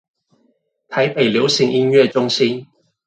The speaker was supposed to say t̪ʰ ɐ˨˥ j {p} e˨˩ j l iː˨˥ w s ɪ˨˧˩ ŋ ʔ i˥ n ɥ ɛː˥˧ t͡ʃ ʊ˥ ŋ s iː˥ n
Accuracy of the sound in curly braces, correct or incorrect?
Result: correct